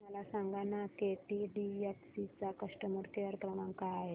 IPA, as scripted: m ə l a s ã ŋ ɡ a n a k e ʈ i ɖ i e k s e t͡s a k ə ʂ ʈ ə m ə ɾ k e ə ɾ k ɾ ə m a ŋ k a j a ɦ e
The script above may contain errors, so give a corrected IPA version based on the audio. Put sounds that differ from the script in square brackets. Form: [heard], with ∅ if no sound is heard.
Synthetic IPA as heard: m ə l a s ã ŋ ɡ a n a k e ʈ i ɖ i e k s [i] t͡s a k ə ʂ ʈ ə m ə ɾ k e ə ɾ k ɾ ə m a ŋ k a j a ɦ e